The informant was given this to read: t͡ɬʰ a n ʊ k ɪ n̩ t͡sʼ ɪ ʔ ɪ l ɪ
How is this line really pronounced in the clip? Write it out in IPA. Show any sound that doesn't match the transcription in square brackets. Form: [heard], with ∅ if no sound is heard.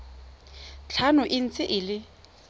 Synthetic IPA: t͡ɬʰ a n ʊ [ʔ] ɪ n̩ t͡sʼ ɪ ʔ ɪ l ɪ